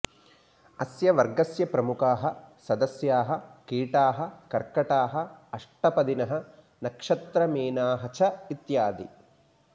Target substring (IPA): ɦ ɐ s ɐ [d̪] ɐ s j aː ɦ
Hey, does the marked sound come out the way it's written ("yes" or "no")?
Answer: yes